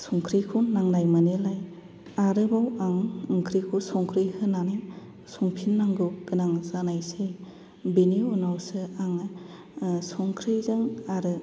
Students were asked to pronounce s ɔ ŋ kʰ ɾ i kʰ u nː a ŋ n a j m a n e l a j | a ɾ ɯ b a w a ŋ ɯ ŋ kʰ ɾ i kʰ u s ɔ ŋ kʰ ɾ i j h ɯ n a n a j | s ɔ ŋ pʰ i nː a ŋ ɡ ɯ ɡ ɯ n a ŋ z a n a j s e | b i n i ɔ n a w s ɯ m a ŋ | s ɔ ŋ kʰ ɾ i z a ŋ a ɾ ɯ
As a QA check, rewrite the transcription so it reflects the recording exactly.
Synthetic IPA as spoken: s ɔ ŋ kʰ ɾ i kʰ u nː a ŋ n a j m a n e l a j | a ɾ ɯ b a w a ŋ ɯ ŋ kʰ ɾ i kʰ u s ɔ ŋ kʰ ɾ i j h ɯ n a n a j | s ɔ ŋ pʰ i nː a ŋ ɡ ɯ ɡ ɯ n a ŋ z a n a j s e | b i n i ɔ n a w s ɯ a ŋ | s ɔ ŋ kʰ ɾ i z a ŋ a ɾ ɯ